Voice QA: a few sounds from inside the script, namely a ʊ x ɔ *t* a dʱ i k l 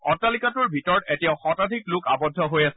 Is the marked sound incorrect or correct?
correct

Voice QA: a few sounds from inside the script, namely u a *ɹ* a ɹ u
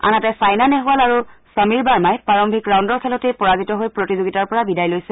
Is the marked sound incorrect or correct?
incorrect: l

